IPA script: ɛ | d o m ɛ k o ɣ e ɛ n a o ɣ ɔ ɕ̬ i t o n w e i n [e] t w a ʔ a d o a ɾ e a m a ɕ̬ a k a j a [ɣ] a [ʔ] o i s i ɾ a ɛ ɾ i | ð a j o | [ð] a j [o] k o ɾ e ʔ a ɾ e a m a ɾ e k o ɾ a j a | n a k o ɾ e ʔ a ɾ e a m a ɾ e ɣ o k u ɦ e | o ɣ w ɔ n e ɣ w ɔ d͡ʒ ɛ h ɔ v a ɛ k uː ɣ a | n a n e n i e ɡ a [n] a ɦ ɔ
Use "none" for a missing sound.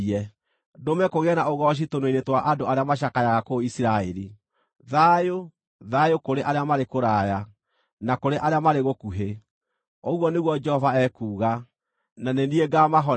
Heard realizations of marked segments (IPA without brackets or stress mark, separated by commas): e, ɣ, k, ð, o, m